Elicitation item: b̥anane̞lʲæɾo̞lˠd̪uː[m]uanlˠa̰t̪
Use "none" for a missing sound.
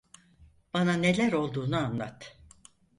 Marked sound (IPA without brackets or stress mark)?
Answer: n